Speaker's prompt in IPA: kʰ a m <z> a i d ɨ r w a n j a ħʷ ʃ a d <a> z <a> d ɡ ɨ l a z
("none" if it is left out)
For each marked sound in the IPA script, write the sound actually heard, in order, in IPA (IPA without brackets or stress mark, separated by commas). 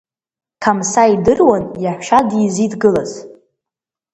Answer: s, i, i